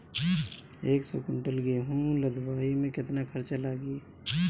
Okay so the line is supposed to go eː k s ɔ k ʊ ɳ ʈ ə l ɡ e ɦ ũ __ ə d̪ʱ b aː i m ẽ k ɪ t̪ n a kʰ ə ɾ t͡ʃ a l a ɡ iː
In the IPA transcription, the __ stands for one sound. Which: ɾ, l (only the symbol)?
l